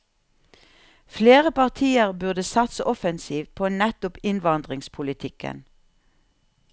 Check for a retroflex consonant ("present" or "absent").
absent